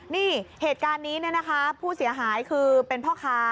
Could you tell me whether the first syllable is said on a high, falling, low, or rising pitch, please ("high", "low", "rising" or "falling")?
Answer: falling